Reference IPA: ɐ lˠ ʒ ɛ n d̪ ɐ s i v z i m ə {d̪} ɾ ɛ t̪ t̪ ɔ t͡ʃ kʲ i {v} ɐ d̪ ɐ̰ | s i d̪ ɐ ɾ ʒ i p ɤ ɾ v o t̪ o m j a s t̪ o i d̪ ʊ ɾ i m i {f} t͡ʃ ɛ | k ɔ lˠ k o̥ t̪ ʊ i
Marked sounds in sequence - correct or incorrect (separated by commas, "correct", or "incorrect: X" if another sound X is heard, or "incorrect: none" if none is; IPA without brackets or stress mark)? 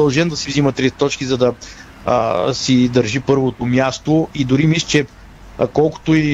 incorrect: t̪, incorrect: z, incorrect: s